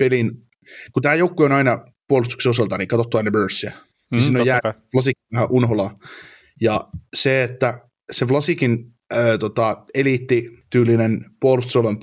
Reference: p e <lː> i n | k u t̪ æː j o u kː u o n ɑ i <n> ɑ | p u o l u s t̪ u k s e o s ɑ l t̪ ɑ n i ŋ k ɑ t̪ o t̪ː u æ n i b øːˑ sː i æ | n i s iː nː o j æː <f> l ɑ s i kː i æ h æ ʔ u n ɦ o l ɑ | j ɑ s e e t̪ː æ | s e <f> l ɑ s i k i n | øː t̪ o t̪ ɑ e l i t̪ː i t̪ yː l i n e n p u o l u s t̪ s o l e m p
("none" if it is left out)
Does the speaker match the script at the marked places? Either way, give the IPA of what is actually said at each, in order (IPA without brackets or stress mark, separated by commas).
l, n, f, f